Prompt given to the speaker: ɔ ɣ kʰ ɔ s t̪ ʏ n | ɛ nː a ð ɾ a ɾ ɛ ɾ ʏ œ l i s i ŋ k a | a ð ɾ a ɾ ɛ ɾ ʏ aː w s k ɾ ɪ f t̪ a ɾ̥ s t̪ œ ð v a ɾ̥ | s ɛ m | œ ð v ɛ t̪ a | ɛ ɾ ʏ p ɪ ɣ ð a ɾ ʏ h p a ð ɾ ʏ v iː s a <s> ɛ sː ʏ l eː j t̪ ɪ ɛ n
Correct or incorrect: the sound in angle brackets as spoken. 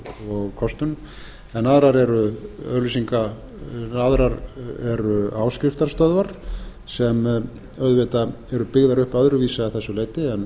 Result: incorrect: θ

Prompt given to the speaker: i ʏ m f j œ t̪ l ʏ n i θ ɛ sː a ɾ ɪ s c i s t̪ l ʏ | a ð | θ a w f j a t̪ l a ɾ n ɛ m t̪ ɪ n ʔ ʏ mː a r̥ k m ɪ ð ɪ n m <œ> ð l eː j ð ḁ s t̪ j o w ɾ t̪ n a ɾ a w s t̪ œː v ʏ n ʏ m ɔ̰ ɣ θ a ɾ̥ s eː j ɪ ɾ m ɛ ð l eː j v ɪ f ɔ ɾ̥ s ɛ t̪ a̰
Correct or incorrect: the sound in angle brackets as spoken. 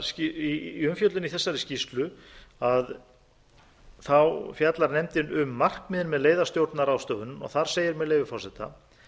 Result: incorrect: ɛ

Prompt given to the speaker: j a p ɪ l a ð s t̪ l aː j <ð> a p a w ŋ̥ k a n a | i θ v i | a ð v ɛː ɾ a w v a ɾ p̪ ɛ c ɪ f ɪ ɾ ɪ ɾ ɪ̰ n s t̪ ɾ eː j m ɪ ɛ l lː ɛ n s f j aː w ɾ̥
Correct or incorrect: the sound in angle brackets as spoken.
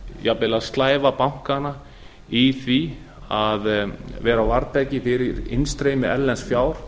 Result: incorrect: v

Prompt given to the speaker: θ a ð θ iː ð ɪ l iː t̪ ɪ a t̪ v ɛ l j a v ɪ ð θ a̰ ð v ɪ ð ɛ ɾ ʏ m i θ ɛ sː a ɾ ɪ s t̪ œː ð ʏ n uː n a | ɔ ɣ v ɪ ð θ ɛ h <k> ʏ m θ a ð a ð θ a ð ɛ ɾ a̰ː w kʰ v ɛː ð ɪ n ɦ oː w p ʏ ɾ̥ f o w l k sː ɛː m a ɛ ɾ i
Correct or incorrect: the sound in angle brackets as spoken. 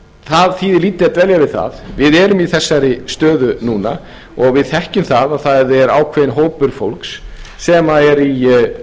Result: incorrect: c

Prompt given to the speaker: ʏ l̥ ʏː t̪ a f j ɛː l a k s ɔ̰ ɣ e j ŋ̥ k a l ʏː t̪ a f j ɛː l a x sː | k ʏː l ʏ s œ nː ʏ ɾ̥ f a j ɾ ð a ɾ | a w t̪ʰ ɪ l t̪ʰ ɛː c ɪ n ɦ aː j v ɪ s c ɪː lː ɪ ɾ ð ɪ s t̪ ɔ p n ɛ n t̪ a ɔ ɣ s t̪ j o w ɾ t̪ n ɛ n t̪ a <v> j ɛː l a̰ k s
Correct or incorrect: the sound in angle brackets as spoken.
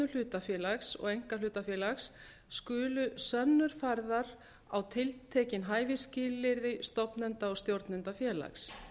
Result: incorrect: f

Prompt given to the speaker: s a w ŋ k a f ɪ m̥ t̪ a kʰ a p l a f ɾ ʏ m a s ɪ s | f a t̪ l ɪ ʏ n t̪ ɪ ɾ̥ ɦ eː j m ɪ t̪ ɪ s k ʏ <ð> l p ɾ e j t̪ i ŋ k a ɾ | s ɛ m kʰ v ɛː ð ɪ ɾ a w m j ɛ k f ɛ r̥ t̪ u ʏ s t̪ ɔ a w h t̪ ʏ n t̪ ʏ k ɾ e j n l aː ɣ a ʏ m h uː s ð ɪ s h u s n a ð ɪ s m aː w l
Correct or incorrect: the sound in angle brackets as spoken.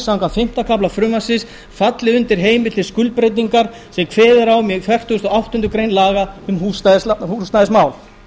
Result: incorrect: none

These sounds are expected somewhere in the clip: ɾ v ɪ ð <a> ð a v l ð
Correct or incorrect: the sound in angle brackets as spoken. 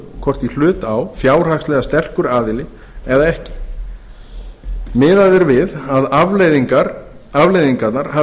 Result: correct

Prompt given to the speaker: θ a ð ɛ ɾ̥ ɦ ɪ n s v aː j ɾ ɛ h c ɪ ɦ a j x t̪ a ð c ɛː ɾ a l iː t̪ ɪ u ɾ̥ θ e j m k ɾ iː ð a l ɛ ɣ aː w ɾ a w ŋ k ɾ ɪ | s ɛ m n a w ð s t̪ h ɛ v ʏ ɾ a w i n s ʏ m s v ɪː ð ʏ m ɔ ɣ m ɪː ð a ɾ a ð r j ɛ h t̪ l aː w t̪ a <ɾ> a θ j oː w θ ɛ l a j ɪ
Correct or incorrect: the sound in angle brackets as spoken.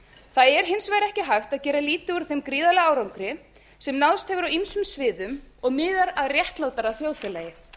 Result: correct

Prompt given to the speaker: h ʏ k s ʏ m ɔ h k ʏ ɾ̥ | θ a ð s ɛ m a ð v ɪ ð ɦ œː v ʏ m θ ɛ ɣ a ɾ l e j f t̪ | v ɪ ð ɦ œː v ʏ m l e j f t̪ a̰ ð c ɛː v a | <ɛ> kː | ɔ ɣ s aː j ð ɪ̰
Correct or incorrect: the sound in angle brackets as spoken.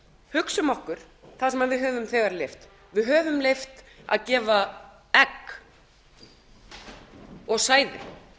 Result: correct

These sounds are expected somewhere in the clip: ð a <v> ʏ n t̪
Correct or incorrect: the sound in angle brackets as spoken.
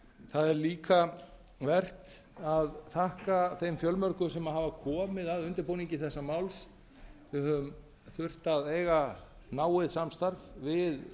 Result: incorrect: ð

